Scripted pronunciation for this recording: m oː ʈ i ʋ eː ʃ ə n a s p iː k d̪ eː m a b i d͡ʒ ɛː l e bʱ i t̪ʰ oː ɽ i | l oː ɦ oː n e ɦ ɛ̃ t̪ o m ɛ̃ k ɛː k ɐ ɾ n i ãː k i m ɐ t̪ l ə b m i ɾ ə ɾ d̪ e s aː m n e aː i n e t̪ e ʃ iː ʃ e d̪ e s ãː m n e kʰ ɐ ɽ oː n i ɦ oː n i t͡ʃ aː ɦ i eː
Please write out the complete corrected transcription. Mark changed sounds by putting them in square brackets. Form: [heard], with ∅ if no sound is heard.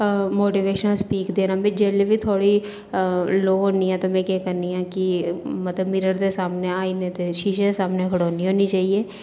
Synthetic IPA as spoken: m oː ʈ i ʋ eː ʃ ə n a s p iː k d̪ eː [n] a b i d͡ʒ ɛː l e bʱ i t̪ʰ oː ɽ i | l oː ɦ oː n [i] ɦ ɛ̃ t̪ o m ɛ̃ k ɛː k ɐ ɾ n i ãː k i m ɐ t̪ l ə b m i ɾ ə ɾ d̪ e s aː m n e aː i n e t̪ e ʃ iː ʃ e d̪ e s [aː] m n e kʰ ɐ ɽ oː n i ɦ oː n i t͡ʃ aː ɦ i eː